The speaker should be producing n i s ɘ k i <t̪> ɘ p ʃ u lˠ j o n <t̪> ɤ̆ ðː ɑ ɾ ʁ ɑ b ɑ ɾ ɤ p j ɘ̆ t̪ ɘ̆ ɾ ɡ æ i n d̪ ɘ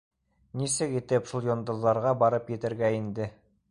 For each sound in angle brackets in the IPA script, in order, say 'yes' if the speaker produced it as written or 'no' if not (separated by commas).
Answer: yes, no